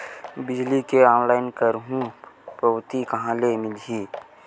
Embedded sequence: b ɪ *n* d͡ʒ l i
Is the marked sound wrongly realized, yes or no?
yes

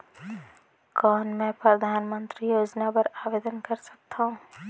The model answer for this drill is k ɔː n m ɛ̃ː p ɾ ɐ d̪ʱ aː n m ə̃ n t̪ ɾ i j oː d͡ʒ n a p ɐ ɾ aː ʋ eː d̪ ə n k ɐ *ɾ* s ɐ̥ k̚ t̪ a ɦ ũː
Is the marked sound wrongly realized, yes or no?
no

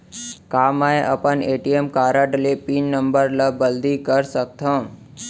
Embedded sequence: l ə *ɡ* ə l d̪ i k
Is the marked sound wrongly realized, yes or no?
yes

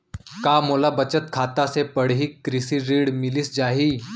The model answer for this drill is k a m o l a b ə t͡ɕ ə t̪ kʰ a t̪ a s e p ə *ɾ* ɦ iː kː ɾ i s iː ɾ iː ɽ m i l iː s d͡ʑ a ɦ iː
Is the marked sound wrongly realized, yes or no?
yes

